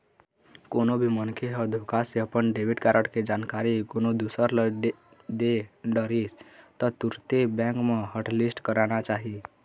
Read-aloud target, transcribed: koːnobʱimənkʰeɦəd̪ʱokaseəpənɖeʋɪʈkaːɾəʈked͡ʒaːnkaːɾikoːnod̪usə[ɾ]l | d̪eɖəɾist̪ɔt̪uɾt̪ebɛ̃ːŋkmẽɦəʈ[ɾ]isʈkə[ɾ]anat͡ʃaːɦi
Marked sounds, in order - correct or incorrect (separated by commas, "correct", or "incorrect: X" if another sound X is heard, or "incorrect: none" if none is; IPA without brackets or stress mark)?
correct, incorrect: l, correct